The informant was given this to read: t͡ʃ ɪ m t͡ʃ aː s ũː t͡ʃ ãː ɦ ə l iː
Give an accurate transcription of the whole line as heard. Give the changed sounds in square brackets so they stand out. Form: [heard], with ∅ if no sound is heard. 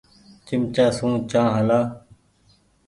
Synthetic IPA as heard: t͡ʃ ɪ m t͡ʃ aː s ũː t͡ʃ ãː ɦ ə l [aː]

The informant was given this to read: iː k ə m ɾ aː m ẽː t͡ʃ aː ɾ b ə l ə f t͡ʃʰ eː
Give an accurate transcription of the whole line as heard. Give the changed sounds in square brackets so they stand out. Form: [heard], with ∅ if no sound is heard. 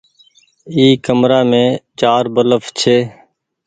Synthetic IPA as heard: iː k ə m ɾ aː m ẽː t͡ʃ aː ɾ b ə l ə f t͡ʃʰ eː

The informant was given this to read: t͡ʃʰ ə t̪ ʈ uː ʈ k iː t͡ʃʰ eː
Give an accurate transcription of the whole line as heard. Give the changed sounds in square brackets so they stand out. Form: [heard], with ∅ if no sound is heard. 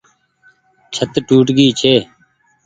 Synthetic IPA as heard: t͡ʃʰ ə t̪ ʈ uː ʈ [ɡ] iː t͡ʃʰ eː

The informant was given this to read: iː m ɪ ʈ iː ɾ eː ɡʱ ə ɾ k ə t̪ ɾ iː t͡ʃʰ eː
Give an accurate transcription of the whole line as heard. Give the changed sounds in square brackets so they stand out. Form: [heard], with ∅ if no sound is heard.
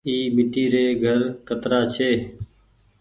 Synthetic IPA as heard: iː m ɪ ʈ iː ɾ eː ɡʱ ə ɾ k ə t̪ ɾ [aː] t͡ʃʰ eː

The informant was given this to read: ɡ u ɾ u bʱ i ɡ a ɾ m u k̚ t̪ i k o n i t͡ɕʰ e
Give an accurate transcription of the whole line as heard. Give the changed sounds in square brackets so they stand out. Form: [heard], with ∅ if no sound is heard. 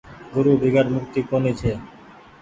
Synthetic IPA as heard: ɡ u ɾ u bʱ i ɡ a ɾ m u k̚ t̪ i k o n i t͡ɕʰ e

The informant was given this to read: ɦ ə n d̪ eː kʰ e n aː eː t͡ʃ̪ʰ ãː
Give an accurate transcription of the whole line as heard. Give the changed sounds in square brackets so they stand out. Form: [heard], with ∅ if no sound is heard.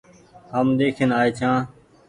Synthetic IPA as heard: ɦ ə [m] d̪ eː kʰ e n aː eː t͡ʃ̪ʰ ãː

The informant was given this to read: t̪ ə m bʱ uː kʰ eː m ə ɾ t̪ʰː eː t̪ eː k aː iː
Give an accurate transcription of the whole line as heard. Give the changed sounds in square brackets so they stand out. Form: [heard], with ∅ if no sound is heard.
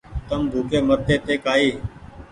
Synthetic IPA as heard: t̪ ə m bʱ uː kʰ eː m ə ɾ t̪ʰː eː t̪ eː k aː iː

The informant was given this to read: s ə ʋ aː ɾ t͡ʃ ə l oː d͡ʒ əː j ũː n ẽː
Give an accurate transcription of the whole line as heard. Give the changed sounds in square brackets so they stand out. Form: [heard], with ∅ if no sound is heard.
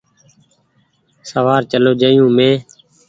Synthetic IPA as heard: s ə ʋ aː ɾ t͡ʃ ə l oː d͡ʒ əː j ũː [m] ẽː

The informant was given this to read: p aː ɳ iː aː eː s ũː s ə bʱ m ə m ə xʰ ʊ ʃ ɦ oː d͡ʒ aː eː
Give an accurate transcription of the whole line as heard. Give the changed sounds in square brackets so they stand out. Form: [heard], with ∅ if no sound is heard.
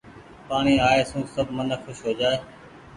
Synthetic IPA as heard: p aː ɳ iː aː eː s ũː s ə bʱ m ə [n] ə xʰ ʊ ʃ ɦ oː d͡ʒ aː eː

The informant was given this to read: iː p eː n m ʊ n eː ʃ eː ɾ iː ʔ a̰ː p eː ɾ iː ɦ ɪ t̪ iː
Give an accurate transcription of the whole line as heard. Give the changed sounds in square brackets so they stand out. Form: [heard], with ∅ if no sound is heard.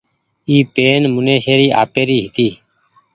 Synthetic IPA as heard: iː p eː n m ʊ n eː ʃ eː ɾ iː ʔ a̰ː p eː ɾ iː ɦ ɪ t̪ iː

